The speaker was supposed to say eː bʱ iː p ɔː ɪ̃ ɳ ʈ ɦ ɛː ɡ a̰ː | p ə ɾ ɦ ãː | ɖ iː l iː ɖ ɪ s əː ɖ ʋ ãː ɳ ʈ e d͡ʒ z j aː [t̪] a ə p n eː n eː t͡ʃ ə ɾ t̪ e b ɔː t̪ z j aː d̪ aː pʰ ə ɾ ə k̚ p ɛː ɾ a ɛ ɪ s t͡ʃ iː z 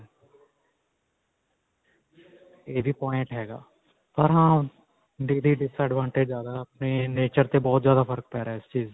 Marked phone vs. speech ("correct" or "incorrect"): incorrect